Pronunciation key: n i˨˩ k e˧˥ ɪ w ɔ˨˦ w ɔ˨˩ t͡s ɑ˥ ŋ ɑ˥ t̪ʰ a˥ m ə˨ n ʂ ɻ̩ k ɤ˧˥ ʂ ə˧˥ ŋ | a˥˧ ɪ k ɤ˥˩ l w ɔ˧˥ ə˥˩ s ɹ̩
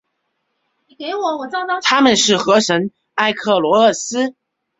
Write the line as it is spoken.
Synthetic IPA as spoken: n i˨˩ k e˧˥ ɪ w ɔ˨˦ w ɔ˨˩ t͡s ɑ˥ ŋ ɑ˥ t̪ʰ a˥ m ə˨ n ʂ ɻ̩ x ɤ˧˥ ʂ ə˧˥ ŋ | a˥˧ ɪ kʰ ɤ˥˩ l w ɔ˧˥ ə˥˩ s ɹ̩